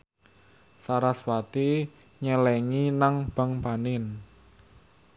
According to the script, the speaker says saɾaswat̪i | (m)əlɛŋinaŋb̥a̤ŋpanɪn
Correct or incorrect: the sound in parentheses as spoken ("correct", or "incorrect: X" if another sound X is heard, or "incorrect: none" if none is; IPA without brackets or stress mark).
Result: incorrect: ɲ